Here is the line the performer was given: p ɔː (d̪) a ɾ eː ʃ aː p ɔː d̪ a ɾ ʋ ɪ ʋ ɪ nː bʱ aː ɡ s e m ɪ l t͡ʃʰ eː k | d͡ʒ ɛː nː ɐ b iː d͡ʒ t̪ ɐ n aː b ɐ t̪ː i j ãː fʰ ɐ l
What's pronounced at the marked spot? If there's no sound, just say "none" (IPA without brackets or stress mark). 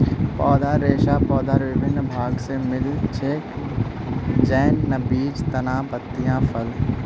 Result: d̪